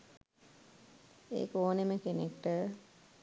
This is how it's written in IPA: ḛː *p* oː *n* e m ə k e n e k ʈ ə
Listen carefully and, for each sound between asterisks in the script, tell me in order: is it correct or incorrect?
incorrect, correct

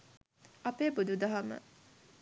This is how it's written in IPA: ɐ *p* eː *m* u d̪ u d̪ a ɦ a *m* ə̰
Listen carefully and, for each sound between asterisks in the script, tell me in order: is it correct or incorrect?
correct, incorrect, correct

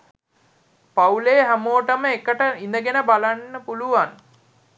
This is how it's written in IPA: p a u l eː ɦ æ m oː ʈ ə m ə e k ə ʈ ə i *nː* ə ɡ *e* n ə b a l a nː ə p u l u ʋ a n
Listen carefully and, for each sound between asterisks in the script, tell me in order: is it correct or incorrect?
incorrect, correct

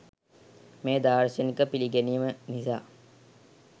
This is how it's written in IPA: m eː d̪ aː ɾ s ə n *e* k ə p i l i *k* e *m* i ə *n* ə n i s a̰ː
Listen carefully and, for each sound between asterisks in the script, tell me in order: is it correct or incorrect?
incorrect, incorrect, incorrect, incorrect

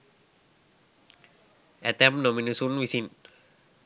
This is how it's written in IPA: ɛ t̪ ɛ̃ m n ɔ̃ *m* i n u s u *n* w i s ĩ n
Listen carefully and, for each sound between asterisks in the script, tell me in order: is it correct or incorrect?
correct, correct

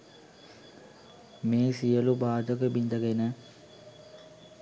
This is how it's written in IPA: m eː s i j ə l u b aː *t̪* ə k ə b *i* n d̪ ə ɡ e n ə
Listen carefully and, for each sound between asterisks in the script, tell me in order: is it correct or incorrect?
incorrect, correct

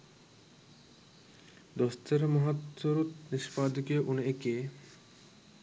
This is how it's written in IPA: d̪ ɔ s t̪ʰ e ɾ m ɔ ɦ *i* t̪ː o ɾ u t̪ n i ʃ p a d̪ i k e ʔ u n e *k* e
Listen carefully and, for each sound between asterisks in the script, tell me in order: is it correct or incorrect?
incorrect, correct

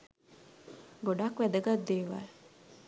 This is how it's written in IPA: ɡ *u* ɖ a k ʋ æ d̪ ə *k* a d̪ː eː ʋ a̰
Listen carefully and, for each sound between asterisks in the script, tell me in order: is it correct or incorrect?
incorrect, incorrect

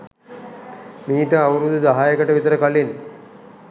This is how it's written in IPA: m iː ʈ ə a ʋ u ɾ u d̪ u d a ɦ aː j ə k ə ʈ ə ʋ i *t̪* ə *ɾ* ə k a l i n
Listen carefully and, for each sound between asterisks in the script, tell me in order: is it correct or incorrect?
correct, correct

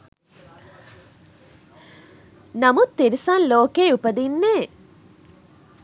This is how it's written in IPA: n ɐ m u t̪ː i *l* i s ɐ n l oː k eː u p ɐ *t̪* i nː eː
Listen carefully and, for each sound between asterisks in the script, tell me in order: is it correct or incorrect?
incorrect, incorrect

